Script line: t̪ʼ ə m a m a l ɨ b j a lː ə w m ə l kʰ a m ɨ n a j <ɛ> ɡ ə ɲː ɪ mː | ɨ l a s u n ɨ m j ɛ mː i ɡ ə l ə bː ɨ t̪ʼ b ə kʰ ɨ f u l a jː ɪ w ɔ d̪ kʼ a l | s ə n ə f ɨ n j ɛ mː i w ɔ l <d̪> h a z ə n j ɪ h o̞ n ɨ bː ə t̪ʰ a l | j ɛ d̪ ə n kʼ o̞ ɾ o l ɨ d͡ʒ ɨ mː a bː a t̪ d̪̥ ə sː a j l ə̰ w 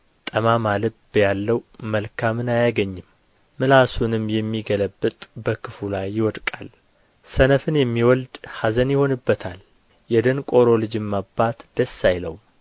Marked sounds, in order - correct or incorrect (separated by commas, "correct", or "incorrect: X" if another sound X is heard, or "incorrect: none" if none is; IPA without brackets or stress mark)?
incorrect: a, correct